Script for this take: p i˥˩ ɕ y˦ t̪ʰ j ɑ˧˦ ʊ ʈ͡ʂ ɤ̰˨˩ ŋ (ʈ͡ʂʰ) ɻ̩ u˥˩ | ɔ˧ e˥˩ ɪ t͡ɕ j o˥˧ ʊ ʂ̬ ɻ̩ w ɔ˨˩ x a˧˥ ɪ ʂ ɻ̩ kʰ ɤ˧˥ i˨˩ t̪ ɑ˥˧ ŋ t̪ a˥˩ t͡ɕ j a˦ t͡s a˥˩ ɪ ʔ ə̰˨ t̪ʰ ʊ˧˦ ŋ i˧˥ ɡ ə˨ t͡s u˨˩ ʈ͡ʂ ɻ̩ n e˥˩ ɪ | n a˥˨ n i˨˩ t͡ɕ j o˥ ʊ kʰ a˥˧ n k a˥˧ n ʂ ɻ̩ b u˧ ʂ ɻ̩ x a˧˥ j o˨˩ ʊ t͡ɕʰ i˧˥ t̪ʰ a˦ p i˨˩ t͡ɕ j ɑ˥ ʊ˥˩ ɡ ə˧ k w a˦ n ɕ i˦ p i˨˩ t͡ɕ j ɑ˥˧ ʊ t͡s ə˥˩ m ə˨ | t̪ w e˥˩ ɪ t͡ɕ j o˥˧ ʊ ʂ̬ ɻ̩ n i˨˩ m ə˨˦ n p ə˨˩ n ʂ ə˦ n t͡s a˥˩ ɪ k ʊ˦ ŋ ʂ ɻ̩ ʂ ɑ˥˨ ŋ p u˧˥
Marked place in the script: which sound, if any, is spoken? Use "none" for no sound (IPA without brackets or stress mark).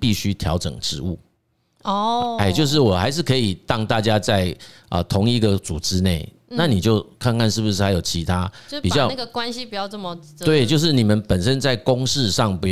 ʈ͡ʂ